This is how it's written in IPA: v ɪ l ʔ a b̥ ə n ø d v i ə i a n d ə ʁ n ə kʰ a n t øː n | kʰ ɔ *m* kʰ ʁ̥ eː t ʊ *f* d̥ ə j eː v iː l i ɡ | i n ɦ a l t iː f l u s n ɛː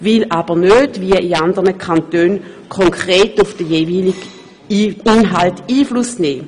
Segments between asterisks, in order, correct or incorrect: incorrect, correct

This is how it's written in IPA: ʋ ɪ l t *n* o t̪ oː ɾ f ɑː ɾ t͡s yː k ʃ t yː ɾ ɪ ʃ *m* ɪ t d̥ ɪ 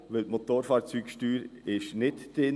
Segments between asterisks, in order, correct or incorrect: incorrect, incorrect

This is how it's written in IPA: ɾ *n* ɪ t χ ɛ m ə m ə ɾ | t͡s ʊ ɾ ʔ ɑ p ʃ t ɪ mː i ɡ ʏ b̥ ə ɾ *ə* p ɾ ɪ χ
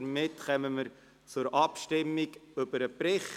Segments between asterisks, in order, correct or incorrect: incorrect, correct

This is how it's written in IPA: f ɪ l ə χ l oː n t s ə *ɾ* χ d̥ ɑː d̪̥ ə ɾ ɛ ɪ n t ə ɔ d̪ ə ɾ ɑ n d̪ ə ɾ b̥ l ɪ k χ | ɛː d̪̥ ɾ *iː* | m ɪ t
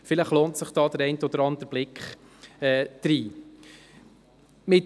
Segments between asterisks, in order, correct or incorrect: incorrect, correct

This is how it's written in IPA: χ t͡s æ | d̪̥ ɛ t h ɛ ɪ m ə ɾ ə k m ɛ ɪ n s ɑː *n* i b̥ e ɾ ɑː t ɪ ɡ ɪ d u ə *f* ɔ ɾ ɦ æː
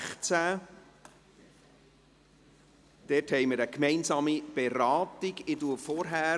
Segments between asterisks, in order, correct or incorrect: incorrect, correct

